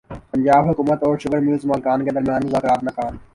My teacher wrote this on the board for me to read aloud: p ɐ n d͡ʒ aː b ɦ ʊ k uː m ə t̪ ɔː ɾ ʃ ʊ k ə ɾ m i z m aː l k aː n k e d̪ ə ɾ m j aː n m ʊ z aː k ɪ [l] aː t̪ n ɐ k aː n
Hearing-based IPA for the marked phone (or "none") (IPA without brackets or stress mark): ɾ